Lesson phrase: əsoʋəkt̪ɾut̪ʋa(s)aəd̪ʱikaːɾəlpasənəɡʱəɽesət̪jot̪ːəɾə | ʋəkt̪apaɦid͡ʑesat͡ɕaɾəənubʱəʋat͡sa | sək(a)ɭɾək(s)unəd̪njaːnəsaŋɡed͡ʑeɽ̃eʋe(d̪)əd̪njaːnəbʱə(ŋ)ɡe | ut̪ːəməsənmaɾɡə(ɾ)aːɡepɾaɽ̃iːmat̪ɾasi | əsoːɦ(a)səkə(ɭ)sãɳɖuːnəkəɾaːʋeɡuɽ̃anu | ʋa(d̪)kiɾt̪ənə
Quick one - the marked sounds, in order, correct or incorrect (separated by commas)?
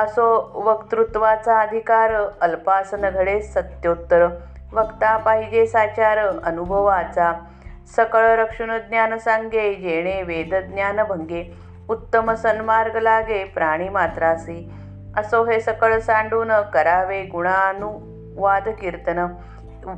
incorrect, incorrect, incorrect, correct, correct, incorrect, incorrect, correct, correct